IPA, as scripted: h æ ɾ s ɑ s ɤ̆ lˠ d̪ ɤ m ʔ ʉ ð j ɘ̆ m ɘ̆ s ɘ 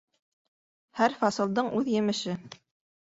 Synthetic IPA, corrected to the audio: h æ ɾ f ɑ s ɤ̆ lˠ d̪ ɤ ɴ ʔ ʉ ð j ɘ̆ m ɘ̆ ʃ ɘ